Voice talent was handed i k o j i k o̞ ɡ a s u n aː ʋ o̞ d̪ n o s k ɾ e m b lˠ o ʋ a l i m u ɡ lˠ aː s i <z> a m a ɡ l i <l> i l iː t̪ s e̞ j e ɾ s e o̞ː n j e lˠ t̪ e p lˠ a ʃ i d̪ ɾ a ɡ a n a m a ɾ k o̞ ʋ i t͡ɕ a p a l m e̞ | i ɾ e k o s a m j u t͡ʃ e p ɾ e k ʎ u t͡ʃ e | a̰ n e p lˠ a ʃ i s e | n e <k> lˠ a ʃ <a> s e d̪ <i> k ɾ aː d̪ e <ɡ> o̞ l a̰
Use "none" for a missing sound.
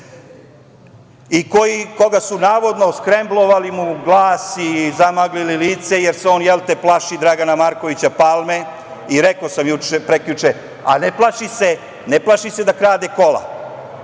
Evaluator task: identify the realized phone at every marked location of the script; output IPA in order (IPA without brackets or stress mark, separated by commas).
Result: z, l, p, i, a, k